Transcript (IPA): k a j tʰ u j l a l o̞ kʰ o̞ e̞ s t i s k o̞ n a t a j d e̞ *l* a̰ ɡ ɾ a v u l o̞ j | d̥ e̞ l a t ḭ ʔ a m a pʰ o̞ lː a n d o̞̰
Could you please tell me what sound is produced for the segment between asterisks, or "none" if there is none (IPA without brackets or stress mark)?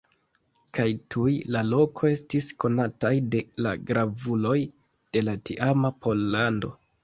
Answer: l